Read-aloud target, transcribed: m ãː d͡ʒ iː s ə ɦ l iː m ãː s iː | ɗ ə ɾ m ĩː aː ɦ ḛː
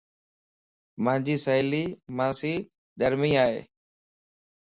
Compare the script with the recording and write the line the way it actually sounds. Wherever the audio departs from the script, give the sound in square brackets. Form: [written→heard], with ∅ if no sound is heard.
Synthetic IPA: m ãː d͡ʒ iː s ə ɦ l iː m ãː s iː | ɗ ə ɾ m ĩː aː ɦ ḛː